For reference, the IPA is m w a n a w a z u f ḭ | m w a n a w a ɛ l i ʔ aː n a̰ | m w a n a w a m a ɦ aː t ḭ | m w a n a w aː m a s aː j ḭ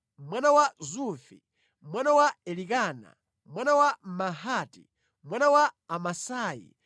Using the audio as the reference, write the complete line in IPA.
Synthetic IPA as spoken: m w a n a w a z u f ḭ | m w a n a w a ɛ l i k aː n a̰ | m w a n a w a m a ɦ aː t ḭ | m w a n a w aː m a s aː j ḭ